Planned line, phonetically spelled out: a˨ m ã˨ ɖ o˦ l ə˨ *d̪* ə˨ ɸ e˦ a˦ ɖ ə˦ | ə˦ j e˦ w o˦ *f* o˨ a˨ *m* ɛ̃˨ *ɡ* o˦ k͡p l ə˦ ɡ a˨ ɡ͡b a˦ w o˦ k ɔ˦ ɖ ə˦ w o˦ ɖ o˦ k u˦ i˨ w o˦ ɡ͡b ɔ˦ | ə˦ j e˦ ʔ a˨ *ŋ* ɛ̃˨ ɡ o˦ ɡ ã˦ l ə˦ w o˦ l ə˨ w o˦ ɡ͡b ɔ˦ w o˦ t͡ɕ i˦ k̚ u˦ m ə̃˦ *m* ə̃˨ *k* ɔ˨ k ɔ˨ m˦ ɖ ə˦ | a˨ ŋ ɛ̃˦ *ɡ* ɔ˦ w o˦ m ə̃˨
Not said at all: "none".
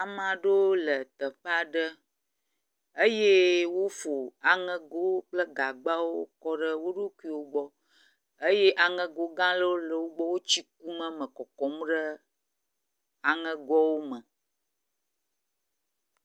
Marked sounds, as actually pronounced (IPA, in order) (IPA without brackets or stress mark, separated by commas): t̪, f, ŋ, ɡ, ŋ, m, k, ɡ